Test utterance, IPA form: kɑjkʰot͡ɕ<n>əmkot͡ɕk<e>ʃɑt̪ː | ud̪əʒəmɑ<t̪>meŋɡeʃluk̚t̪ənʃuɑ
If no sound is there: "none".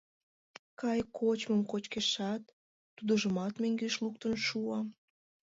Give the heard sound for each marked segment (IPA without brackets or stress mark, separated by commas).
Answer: m, e, t̪